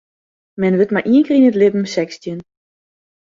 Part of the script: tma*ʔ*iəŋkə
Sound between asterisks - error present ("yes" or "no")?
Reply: no